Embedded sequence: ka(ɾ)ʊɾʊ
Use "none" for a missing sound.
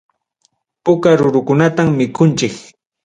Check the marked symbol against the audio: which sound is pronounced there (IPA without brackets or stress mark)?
ɾ